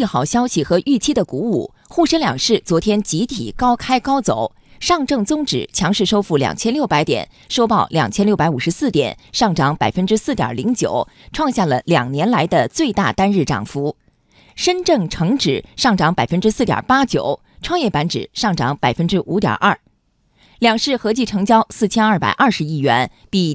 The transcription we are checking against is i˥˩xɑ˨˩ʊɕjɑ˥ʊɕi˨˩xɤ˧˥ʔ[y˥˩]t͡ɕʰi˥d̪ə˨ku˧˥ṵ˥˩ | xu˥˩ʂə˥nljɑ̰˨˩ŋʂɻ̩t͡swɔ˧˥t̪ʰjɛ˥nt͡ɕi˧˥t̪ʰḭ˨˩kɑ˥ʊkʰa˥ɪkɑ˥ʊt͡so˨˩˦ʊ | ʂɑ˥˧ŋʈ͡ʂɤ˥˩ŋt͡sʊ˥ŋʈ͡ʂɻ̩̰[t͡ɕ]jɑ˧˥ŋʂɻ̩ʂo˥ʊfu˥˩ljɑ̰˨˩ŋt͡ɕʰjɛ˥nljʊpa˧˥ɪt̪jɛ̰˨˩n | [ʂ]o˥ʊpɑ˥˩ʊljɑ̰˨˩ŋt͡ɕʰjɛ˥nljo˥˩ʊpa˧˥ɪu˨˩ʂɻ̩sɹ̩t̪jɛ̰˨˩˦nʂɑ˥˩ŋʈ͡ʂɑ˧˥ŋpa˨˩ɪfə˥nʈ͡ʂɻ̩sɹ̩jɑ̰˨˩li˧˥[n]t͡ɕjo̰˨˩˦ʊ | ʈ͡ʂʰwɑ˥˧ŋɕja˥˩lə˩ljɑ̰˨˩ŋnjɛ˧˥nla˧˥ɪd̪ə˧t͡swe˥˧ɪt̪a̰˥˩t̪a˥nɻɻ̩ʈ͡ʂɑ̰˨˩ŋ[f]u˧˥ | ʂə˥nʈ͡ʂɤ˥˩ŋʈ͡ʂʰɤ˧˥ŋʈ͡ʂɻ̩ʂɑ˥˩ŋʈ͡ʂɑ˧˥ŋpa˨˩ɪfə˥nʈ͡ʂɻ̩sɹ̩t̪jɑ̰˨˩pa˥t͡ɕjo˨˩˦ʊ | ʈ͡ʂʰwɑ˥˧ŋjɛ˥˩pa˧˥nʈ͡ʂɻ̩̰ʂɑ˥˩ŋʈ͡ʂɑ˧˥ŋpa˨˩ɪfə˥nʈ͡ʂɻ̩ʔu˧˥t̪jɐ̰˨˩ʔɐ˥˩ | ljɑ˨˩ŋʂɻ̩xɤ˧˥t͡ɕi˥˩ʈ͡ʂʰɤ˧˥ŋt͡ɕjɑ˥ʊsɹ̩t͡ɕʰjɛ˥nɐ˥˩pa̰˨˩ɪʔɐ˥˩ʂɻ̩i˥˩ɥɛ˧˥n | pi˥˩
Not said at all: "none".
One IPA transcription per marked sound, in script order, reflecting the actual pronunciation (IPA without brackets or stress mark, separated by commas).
y˥˩, t͡ɕʰ, ʂ, ŋ, f